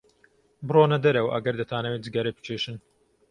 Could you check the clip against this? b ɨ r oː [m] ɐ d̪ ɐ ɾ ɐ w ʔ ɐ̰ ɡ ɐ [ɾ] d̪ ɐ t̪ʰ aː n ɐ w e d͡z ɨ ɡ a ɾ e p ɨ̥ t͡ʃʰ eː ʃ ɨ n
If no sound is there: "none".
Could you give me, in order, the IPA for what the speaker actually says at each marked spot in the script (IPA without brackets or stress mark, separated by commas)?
n, ɾ